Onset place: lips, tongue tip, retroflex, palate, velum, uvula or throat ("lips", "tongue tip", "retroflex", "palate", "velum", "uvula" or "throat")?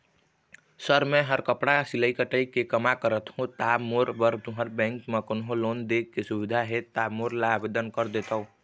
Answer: tongue tip